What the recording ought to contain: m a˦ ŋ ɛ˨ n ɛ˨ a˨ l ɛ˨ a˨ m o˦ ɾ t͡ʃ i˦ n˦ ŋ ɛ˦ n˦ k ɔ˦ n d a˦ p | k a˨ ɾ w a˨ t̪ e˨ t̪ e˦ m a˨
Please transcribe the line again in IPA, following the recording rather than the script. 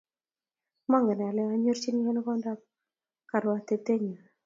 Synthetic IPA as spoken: m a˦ ŋ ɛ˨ n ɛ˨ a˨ l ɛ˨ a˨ ɲ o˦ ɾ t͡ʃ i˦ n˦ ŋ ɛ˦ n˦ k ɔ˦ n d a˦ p | k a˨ ɾ w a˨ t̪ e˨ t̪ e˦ ɲ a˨